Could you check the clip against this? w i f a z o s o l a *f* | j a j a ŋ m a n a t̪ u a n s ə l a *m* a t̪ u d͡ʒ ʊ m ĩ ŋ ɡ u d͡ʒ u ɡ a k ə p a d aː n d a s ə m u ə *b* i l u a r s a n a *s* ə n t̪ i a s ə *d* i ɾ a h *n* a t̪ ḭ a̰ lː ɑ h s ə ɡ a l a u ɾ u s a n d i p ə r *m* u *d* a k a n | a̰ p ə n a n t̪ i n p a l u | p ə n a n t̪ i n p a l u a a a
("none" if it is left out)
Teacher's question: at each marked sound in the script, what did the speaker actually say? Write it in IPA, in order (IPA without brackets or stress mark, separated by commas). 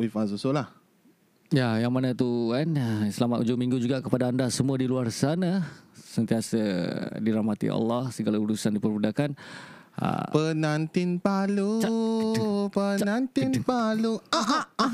h, m, d, s, d, m, b, d